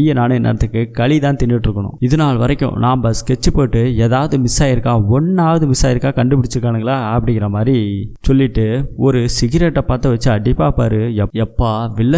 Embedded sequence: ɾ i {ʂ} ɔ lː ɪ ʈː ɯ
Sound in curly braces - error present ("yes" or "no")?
yes